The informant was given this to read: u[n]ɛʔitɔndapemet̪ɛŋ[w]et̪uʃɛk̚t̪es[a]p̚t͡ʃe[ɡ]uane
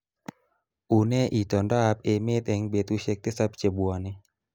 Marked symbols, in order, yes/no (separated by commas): yes, no, yes, no